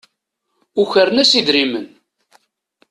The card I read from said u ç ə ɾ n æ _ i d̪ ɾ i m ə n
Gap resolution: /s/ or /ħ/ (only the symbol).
s